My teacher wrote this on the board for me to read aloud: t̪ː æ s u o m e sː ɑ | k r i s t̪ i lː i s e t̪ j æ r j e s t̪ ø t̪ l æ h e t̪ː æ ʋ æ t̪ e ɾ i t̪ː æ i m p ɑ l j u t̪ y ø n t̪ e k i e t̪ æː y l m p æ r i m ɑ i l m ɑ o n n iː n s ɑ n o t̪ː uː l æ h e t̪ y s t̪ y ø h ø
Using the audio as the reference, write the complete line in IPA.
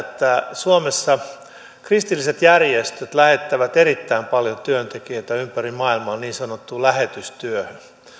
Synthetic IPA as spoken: t̪ː æ s u o m e sː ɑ | k r i s t̪ i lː i s e t̪ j æ r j e s t̪ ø t̪ l æ h e t̪ː æ ʋ æ t̪ e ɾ i t̪ː æ i m p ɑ l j o t̪ y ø n t̪ e k i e t̪ æ y m p æ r i m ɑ i l m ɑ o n n iː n s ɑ n o t̪ː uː l æ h e t̪ y s t̪ y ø h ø

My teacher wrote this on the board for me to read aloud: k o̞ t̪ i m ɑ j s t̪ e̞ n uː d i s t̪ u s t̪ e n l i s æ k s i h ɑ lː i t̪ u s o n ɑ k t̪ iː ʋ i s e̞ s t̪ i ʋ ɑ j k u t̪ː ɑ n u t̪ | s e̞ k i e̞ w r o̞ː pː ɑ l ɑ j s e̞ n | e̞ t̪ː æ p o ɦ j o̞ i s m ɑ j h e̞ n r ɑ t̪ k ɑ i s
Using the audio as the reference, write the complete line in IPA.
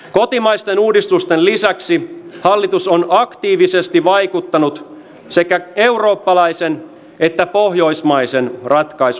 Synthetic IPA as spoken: k o̞ t̪ i m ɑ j s t̪ e̞ n uː d i s t̪ u s t̪ e n l i s æ k s i h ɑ lː i t̪ u s o n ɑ k t̪ iː ʋ i s e̞ s t̪ i ʋ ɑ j k u t̪ː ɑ n u t̪ | s e̞ k æ e̞ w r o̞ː pː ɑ l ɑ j s e̞ n | e̞ t̪ː æ p o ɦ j o̞ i s m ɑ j s e̞ n r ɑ t̪ k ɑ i s

